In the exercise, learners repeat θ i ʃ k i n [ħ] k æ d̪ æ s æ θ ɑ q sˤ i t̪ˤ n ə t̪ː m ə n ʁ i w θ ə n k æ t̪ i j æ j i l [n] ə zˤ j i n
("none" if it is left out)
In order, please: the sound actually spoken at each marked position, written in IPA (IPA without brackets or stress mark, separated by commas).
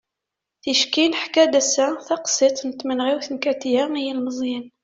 ħ, m